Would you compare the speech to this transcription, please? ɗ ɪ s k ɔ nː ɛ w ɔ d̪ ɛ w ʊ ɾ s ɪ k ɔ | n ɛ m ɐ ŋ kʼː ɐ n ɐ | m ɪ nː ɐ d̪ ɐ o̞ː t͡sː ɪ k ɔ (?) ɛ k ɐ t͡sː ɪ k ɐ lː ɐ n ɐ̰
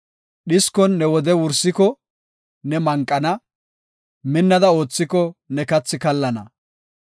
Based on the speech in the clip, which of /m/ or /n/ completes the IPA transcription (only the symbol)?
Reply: n